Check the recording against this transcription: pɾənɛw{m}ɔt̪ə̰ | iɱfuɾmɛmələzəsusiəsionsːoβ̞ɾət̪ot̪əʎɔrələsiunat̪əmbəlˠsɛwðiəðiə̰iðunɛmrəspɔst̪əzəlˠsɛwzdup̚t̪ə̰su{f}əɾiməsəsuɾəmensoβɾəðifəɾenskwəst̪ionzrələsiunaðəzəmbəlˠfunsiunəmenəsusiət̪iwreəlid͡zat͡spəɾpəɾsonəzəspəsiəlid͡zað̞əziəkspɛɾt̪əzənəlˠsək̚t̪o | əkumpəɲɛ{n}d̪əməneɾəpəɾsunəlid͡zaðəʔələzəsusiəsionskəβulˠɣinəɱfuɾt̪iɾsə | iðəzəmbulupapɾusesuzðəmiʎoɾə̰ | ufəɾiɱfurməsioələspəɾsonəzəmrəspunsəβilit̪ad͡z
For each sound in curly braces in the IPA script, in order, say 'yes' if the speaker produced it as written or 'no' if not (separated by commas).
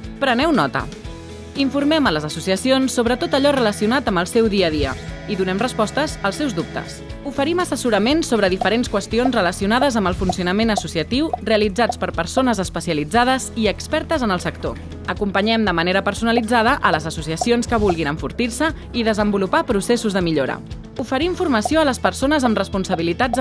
no, yes, no